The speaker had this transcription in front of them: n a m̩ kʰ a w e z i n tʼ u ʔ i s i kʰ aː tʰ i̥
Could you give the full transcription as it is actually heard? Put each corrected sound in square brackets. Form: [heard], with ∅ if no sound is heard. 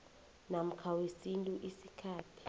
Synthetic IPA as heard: n a m̩ kʰ a w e [s] i n tʼ u ʔ i s i kʰ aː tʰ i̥